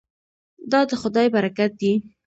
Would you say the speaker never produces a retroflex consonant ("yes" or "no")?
yes